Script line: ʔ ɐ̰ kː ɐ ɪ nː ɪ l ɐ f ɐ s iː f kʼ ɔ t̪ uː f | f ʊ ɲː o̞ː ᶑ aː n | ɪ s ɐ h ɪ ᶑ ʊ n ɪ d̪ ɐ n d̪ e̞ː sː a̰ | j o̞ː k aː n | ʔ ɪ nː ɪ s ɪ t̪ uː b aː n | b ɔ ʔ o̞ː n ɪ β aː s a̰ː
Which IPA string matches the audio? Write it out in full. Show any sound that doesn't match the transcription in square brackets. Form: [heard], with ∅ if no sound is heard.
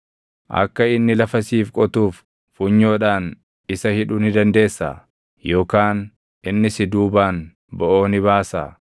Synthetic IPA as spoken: ʔ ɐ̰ kː ɐ ɪ nː ɪ l ɐ f ɐ s iː f kʼ ɔ t̪ uː f | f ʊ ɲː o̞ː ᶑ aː n | ɪ s ɐ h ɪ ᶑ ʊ n ɪ d̪ ɐ n d̪ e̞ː sː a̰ | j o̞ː k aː n | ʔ ɪ nː ɪ s ɪ [d̪] uː b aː n | b ɔ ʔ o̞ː n ɪ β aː s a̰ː